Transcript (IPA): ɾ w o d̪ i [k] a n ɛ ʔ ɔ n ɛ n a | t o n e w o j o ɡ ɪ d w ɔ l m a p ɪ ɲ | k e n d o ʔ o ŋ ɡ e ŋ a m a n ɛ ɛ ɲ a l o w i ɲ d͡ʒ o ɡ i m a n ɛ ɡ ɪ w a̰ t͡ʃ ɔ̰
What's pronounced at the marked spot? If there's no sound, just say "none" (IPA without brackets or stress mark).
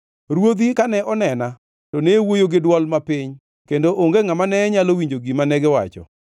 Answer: k